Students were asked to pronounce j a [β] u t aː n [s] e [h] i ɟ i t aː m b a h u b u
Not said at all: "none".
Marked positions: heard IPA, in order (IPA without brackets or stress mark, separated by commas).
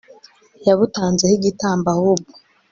β, z, h